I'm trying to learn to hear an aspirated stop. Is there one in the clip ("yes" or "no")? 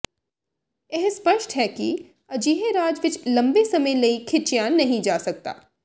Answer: yes